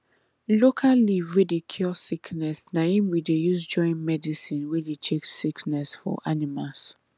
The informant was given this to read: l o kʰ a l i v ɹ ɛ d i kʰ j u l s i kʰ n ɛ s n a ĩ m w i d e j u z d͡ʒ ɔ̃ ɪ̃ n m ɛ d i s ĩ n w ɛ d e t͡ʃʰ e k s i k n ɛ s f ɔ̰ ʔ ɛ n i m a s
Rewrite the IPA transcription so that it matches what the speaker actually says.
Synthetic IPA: l o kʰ a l i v ɹ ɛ d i kʰ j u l s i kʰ n ɛ s n a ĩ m w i d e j u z d͡ʒ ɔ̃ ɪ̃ n m ɛ d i s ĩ n w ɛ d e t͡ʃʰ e k s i k n ɛ s f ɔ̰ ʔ a n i m a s